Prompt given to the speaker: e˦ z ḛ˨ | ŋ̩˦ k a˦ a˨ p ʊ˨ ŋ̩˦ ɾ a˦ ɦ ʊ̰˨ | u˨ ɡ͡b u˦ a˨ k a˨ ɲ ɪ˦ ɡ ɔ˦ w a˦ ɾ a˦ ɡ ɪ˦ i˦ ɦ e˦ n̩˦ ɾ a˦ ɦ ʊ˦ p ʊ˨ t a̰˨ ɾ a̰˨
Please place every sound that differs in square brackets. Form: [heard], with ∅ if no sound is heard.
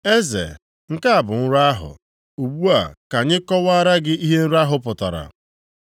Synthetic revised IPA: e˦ z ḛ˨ | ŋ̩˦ k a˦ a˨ [b] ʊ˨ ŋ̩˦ ɾ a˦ ɦ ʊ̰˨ | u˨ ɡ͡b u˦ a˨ k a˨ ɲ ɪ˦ [k] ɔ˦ w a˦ ɾ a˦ ɡ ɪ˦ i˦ ɦ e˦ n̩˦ ɾ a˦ ɦ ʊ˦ p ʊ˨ t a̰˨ ɾ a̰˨